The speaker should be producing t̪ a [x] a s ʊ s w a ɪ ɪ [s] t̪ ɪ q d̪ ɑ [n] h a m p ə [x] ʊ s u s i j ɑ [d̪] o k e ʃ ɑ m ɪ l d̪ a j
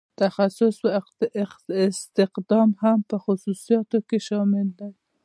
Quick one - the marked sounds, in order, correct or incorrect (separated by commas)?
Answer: correct, correct, incorrect, correct, incorrect